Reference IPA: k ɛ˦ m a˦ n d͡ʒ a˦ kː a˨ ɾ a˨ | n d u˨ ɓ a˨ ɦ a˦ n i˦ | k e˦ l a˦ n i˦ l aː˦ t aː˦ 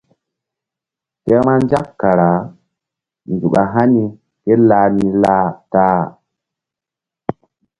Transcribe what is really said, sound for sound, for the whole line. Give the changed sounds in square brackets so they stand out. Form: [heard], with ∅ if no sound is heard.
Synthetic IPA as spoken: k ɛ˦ m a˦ n d͡ʒ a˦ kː a˨ ɾ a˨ | n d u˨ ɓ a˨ ɦ a˦ n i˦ | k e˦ l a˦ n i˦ l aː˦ t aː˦

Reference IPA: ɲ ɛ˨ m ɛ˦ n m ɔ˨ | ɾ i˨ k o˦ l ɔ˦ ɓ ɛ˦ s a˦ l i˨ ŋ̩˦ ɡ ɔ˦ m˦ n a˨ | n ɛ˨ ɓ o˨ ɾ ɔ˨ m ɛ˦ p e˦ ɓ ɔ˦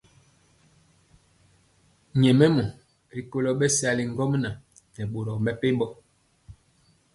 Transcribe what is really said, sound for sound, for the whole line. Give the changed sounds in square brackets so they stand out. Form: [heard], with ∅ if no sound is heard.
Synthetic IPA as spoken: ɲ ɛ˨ m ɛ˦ [∅] m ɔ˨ | ɾ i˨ k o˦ l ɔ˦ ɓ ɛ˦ s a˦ l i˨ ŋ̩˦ ɡ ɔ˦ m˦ n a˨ | n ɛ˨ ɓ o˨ ɾ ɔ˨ m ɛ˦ p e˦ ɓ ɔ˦

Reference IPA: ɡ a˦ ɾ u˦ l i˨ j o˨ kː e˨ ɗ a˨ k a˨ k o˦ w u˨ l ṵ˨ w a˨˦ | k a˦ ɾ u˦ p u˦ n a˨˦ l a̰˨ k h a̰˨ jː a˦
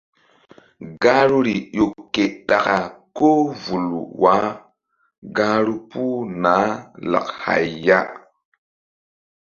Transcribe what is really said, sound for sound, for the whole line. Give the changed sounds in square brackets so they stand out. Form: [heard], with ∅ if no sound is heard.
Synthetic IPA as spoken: ɡ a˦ ɾ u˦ [ɾ] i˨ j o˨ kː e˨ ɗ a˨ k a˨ k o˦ [v] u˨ l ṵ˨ w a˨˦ | [ɡ] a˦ ɾ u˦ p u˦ n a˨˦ l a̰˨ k h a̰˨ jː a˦

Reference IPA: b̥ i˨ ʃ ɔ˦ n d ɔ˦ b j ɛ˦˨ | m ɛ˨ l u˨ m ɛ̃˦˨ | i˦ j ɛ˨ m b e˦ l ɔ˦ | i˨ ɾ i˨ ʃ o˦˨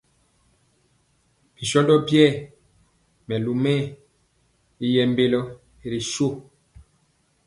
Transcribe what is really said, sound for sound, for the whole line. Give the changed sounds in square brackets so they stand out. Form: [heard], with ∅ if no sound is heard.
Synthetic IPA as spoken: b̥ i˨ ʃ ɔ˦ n d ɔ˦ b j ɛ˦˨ | m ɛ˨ l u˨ m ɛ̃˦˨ | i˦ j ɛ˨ m b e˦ l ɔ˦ | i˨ ɾ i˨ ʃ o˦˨

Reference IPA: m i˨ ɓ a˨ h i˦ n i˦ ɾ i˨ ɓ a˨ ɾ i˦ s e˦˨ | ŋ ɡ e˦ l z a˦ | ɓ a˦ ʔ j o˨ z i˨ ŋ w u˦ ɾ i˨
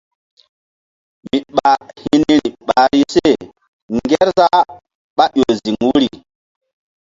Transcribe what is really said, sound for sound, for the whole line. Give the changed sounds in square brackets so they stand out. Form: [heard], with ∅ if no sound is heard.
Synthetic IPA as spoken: m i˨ ɓ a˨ h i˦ n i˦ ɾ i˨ ɓ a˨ ɾ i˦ s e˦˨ | ŋ ɡ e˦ [ɾ] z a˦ | ɓ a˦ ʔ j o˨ z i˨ ŋ w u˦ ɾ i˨

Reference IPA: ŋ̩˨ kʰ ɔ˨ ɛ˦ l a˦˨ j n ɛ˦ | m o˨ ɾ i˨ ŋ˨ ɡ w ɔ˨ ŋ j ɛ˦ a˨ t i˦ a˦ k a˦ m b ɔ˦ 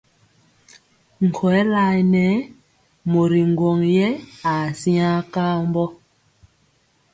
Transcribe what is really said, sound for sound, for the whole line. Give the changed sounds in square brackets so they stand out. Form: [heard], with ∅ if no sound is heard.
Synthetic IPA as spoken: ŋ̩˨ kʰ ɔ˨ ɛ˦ l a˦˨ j n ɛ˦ | m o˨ ɾ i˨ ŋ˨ ɡ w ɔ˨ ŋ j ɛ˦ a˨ [s] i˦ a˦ k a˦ m b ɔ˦

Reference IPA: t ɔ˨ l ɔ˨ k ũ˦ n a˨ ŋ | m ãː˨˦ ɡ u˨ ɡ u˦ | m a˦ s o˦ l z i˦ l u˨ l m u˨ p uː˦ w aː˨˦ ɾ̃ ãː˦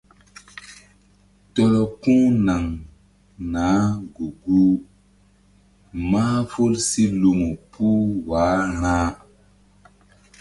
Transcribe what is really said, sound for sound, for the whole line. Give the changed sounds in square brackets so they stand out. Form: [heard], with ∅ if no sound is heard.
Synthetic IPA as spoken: t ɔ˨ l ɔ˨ k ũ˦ n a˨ ŋ | [n] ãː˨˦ ɡ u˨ ɡ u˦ | m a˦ [f] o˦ l [s] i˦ l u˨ [∅] m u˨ p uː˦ w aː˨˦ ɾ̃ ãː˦

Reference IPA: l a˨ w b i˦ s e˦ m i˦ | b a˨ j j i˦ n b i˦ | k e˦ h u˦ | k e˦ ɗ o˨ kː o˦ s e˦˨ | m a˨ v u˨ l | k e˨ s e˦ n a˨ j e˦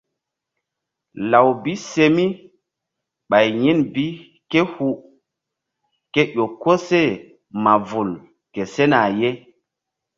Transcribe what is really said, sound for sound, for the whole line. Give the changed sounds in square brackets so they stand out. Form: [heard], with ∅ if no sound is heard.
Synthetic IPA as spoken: l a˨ w b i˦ s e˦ m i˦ | [ɓ] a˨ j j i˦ n b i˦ | k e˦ h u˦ | k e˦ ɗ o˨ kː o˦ s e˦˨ | m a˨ v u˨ l | k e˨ s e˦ n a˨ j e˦

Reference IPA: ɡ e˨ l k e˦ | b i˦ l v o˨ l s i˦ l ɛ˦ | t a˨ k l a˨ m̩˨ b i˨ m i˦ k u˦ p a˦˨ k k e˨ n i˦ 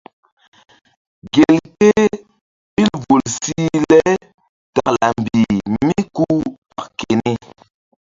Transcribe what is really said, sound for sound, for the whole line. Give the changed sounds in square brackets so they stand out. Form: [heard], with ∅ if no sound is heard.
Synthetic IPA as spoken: ɡ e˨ l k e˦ | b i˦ l v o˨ l s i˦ l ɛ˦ | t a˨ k l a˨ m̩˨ b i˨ m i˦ k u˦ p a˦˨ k k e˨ n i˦

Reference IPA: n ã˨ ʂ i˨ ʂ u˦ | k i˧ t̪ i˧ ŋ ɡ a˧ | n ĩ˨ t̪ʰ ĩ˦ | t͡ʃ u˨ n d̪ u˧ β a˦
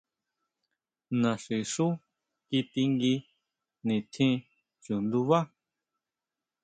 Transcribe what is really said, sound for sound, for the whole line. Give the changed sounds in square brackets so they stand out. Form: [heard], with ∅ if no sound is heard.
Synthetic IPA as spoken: n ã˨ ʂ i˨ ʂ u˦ | k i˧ t̪ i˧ ŋ ɡ [i˧] | n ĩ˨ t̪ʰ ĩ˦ | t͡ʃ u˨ n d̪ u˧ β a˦

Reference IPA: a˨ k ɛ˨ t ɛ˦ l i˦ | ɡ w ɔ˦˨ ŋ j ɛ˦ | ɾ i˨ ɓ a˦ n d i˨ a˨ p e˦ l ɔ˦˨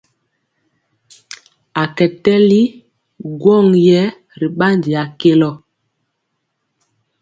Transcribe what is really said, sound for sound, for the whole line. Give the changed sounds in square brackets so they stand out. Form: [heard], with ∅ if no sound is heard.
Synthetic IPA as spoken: a˨ k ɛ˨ t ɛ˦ l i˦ | ɡ w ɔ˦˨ ŋ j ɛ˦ | ɾ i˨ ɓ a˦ n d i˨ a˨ [k] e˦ l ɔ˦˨

